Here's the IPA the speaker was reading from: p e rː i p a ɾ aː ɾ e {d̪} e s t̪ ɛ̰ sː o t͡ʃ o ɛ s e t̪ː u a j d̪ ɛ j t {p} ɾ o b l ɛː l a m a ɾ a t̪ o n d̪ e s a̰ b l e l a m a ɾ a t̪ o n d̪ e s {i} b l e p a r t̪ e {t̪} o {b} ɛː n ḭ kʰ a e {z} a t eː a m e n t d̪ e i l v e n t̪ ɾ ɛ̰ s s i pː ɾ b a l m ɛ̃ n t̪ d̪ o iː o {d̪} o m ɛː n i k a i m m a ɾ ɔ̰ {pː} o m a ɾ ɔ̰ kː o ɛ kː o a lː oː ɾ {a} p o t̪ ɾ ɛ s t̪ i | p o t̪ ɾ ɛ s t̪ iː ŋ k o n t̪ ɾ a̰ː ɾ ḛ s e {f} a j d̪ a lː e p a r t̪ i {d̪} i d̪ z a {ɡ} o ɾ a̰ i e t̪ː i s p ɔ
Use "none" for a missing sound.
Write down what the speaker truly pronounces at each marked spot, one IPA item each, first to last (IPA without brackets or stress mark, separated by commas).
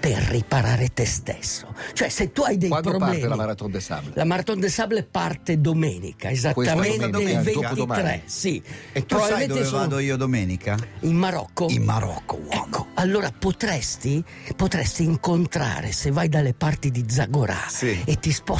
t̪, p, a, d̪, m, z, d̪, kː, a, v, d̪, ɡ